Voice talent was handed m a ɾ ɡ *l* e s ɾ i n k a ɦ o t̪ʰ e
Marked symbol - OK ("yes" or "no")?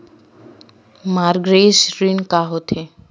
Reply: no